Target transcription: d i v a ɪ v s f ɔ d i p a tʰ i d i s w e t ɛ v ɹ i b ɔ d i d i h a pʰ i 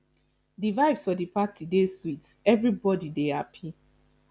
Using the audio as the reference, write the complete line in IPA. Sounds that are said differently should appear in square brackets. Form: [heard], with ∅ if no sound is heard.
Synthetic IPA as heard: d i v a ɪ v s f ɔ d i p a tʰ i d [e] s w [i] t ɛ v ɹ i b ɔ d i d [e] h a pʰ i